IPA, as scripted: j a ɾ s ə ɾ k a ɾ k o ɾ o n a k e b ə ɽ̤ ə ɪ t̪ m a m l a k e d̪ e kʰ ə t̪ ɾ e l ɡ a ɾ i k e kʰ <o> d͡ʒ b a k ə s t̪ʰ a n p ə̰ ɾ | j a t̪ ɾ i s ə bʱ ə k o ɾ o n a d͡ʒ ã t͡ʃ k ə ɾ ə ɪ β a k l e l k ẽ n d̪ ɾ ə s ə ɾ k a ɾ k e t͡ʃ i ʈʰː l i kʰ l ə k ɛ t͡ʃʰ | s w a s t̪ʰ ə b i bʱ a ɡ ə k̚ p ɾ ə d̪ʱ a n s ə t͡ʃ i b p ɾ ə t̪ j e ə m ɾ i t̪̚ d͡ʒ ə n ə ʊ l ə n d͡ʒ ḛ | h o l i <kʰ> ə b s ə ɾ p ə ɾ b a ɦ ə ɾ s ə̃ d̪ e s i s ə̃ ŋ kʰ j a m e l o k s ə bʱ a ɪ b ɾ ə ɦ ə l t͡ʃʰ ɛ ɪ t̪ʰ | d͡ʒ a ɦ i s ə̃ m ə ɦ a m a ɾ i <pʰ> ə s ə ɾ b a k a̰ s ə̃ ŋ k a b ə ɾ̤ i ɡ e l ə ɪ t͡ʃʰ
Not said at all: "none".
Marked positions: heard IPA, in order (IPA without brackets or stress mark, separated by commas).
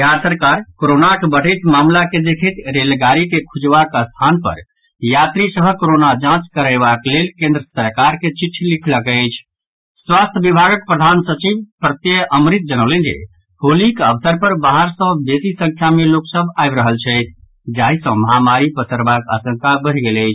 u, k, p